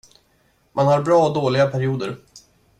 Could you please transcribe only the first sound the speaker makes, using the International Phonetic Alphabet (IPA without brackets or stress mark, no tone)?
m